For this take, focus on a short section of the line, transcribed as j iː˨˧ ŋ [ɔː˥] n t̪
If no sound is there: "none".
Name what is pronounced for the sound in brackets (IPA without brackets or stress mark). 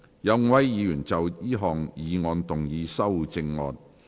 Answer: ɔː˧